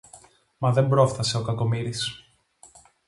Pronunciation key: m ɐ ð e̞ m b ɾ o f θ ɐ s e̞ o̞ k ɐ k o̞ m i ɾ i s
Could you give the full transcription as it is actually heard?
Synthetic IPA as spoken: m ɐ ð e̞ m b ɾ o f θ ɐ s e̞ o̞ k ɐ k o̞ m i ɾ i s